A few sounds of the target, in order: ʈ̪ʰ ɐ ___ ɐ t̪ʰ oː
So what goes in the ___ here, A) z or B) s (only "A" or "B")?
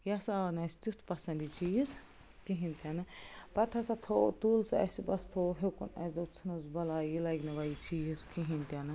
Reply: B